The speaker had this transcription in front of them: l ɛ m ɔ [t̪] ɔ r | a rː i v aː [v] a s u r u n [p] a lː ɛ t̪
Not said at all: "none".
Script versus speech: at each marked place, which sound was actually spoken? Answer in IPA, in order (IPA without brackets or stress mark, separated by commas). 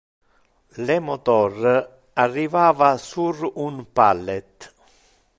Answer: t̪, v, p